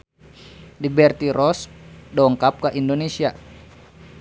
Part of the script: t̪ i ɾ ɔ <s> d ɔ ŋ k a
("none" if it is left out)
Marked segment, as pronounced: s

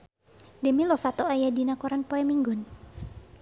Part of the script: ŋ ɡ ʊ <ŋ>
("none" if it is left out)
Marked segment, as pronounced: n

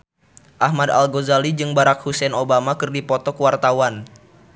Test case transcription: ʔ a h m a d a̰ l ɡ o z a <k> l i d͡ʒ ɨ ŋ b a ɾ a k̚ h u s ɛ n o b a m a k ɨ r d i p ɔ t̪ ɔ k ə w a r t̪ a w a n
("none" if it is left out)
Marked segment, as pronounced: none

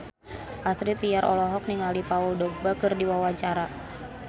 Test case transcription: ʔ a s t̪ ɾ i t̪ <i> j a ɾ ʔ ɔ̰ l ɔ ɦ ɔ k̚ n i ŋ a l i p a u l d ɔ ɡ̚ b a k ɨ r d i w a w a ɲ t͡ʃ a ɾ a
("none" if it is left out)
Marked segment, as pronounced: i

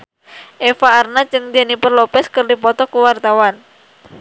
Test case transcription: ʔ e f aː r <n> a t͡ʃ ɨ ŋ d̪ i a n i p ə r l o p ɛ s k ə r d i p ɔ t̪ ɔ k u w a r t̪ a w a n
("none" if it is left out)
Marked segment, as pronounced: n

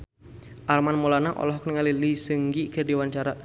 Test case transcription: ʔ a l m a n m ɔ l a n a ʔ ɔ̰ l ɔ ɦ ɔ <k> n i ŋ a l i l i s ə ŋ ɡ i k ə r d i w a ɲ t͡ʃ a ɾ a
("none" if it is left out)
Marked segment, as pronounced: k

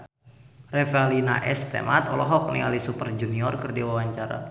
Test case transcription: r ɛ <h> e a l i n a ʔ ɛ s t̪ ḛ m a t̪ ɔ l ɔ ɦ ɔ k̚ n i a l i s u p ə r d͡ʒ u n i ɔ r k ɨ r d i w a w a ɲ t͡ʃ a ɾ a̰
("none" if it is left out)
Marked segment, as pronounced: f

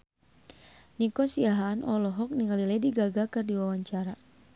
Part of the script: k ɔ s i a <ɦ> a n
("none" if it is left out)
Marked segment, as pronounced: ɦ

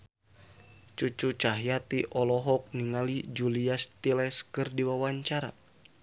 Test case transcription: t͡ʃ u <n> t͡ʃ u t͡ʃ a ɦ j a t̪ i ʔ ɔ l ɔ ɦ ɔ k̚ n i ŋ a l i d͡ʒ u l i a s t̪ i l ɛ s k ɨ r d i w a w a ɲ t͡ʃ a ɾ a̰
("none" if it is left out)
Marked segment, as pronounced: none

